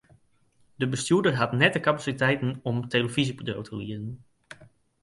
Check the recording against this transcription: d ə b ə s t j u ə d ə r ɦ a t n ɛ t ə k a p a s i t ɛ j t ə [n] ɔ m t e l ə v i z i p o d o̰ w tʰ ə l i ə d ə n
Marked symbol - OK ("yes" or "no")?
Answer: yes